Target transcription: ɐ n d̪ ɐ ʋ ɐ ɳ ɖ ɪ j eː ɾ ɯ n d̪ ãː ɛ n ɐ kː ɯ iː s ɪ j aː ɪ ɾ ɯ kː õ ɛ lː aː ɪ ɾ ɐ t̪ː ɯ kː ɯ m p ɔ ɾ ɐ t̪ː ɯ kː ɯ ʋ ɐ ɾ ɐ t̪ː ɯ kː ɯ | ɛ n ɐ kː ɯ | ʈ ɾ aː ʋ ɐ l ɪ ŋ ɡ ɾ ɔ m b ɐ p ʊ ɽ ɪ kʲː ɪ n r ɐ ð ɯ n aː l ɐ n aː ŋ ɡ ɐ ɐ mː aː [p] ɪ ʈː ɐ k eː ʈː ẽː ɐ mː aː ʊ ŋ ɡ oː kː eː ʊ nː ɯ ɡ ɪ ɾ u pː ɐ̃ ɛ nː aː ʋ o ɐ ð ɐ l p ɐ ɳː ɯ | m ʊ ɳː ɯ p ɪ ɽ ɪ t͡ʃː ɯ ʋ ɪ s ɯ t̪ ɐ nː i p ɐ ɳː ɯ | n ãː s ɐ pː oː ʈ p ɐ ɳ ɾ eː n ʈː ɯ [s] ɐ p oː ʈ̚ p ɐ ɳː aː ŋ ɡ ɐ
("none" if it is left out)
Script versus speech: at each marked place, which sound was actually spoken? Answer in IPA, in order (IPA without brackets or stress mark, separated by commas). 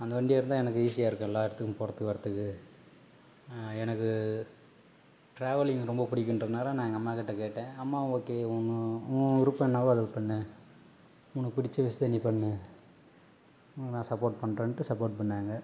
k, s